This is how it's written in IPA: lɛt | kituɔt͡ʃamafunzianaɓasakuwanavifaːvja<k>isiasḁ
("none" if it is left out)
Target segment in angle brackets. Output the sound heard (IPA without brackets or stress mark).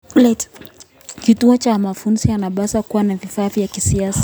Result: k